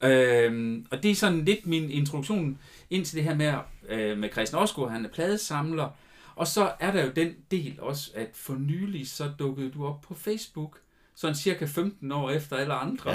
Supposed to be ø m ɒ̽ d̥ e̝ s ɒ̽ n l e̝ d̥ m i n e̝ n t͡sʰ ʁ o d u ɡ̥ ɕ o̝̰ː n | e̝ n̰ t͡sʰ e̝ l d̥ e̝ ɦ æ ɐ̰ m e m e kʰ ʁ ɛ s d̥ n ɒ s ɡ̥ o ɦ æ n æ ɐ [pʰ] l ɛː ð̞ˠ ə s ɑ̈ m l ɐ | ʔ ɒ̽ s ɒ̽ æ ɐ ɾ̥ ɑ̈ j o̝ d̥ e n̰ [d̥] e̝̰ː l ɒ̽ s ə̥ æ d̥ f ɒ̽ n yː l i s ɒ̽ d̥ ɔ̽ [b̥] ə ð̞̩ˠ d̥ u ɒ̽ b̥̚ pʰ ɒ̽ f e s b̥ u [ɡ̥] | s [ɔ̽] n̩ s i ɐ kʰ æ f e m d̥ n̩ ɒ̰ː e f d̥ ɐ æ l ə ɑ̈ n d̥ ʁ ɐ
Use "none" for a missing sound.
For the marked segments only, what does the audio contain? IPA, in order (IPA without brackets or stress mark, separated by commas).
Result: pʰ, d̥, ɡ̥, ɡ̥, ɒ̽